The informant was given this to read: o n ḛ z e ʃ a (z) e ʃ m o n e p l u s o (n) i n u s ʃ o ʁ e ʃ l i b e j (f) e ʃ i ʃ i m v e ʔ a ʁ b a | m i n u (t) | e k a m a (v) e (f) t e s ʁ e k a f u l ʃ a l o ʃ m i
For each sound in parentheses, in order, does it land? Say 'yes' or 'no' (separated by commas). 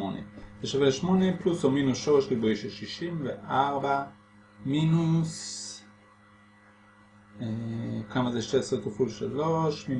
no, no, no, no, no, no